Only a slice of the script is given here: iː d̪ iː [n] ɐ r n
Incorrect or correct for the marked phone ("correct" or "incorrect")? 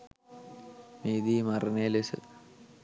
incorrect